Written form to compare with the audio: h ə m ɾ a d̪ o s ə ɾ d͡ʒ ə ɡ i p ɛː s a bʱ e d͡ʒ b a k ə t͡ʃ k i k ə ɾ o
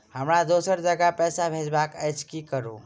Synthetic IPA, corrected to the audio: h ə m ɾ a d̪ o s ə ɾ d͡ʒ ə ɡ a p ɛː s a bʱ e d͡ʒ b a k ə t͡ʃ k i k ə ɾ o